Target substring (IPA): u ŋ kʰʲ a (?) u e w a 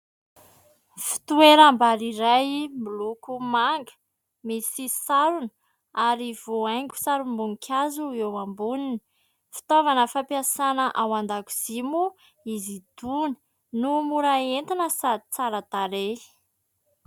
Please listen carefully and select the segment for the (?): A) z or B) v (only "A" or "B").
A